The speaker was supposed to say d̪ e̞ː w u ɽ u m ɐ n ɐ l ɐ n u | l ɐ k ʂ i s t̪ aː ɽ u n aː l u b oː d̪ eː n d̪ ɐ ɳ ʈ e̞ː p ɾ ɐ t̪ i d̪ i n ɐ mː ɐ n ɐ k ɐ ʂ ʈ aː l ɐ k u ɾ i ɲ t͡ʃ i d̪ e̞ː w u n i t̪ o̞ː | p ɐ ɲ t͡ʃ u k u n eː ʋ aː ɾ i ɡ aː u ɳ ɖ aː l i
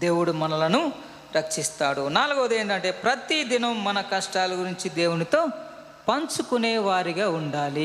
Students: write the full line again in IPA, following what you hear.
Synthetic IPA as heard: d̪ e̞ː w u ɽ u m ɐ n ɐ l ɐ n u | ɾ ɐ k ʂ i s t̪ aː ɽ u n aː l u ɡ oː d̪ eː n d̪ ɐ ɳ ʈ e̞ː p ɾ ɐ t̪ i d̪ i n ɐ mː ɐ n ɐ k ɐ ʂ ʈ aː l ɐ ɡ u ɾ i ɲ t͡ʃ i d̪ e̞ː w u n i t̪ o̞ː | p ɐ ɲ t͡ʃ u k u n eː ʋ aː ɾ i ɡ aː u ɳ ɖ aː l i